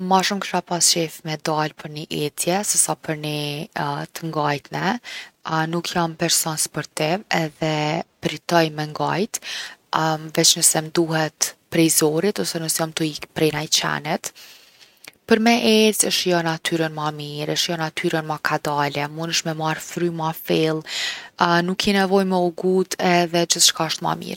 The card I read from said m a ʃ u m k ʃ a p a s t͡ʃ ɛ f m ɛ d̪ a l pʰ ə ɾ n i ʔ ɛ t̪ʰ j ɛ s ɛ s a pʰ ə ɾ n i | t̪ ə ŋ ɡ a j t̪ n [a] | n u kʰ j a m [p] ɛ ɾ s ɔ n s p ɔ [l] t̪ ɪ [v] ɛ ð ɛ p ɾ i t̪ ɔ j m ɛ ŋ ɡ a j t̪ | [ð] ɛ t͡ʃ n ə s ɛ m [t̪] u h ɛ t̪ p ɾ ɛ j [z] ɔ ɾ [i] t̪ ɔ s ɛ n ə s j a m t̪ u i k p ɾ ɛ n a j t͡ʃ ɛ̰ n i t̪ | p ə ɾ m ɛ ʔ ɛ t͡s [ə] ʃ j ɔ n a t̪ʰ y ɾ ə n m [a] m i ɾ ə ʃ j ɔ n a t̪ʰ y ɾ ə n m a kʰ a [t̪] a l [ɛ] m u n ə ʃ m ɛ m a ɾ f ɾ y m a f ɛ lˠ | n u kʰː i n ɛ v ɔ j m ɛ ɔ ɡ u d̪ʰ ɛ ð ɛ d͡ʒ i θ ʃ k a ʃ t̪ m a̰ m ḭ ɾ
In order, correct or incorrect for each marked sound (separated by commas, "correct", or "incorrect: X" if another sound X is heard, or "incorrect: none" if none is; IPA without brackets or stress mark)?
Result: incorrect: ɛ, correct, incorrect: ɾ, correct, incorrect: v, incorrect: d̪, correct, correct, correct, correct, incorrect: d̪, correct